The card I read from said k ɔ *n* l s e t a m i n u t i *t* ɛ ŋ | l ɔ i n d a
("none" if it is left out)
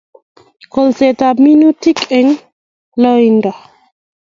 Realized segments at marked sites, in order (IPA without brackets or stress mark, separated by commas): none, k